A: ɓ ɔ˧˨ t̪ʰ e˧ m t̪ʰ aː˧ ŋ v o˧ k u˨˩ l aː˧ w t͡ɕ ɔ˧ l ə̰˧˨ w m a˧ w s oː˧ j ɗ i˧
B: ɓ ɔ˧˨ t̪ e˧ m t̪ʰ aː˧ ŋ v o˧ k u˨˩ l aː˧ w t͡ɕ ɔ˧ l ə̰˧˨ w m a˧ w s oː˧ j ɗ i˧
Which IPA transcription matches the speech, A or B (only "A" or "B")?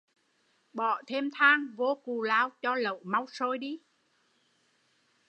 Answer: A